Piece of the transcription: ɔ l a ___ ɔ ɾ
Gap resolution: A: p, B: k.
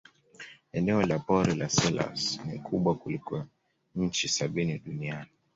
A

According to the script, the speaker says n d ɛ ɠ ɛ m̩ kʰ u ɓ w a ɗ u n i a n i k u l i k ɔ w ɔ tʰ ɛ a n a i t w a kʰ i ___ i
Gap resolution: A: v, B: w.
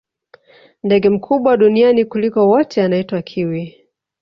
B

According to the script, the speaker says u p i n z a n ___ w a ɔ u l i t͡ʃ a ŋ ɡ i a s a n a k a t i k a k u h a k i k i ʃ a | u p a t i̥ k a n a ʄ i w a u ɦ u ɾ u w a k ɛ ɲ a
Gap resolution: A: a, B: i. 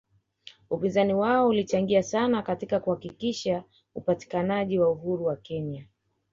B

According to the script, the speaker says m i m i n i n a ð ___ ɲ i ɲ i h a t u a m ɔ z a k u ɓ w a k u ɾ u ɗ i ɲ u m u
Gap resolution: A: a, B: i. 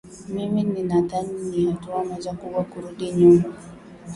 A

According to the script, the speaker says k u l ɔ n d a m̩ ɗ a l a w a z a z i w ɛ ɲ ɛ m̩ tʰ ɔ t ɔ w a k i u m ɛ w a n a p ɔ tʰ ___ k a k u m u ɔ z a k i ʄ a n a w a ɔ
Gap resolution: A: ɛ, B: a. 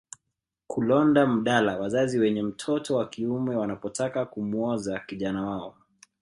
B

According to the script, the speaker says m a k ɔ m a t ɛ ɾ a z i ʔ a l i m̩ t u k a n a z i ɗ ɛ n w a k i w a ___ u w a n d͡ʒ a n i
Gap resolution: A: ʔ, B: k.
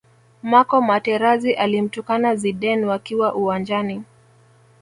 A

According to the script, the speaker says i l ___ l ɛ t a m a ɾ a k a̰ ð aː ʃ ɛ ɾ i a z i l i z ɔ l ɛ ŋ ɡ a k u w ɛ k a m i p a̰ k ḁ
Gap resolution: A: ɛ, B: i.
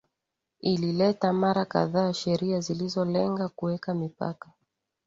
B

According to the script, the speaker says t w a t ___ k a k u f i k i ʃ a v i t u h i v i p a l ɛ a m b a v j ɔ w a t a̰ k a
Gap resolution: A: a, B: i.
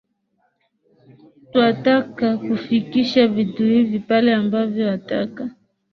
A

